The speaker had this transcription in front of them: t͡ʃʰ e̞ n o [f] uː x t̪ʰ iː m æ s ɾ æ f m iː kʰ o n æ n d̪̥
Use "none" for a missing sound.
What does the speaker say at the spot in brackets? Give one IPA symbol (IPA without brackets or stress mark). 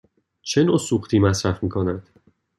s